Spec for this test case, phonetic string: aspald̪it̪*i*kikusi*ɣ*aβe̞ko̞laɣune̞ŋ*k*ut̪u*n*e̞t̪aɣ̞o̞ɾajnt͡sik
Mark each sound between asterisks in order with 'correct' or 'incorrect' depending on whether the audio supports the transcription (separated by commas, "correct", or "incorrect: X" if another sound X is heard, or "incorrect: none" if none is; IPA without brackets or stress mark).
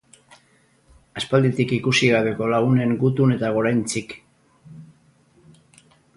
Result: correct, correct, incorrect: ɡ, correct